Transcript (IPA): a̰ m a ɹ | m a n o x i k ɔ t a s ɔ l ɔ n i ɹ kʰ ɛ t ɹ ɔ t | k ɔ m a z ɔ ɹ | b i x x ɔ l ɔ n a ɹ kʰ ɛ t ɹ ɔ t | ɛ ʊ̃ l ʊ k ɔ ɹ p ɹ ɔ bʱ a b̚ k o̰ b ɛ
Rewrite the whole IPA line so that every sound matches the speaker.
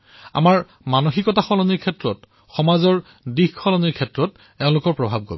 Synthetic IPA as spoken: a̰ m a ɹ | m a n o x i k ɔ t a x ɔ l ɔ n i ɹ kʰ ɛ t ɹ ɔ t | x ɔ m a z ɔ ɹ | d i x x ɔ l ɔ n i ɹ kʰ ɛ t ɹ ɔ t | ɛ ʊ̃ l ʊ k ɔ ɹ p ɹ ɔ bʱ a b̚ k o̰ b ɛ